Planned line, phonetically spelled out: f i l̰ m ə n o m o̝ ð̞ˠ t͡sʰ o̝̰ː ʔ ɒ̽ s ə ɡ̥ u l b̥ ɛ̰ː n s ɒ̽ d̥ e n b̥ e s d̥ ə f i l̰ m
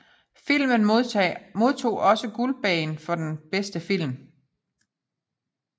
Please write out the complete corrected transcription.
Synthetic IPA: f i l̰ m ə n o m o̝ ð̞ˠ t͡sʰ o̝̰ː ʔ ɒ̽ s ə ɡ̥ u l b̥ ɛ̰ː n f ɒ̽ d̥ e n b̥ e s d̥ ə f i l̰ m

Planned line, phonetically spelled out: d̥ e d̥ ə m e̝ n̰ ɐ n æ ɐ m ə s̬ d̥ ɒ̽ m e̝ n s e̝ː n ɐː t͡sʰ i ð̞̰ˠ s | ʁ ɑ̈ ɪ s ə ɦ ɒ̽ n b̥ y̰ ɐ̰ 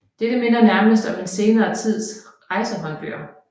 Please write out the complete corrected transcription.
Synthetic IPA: d̥ e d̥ ə m e̝ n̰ ɐ n æ ɐ m ə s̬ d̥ ɒ̽ m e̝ n s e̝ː n ɐː t͡sʰ i ð̞̰ˠ s | ʁ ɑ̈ ɪ s ə ɦ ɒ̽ n b̥ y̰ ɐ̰

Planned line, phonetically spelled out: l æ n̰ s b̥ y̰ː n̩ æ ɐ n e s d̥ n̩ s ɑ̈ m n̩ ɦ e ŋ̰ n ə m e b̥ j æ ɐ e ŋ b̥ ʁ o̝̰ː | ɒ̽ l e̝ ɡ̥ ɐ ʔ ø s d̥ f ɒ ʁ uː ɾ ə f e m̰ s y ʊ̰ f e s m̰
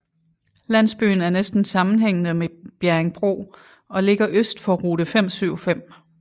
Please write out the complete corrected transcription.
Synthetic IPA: l æ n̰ s b̥ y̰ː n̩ æ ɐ n e s d̥ n̩ s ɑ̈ m n̩ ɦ e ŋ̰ n ə m e b̥ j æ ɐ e ŋ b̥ ʁ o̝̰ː | ɒ̽ l e̝ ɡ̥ ɐ ʔ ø s d̥ f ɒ ʁ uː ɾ ə f e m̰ s y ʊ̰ f e m̰

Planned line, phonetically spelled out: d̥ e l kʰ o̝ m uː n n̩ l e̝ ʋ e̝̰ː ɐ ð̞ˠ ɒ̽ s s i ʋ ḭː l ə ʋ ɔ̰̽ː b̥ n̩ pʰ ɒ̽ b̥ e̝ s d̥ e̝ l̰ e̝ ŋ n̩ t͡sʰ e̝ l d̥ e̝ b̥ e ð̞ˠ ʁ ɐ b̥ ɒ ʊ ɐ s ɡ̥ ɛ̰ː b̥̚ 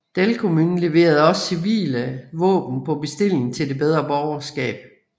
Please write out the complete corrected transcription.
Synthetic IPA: d̥ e l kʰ o̝ m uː n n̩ l e̝ ʋ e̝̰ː ɐ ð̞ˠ ɒ̽ s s i ʋ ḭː l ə ʋ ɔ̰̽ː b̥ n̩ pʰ ɒ̽ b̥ e̝ s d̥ e̝ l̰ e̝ ŋ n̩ t͡sʰ e̝ l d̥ e̝ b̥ e ð̞ˠ ʁ ɐ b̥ ɒ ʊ ɐ s ɡ̥ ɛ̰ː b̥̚

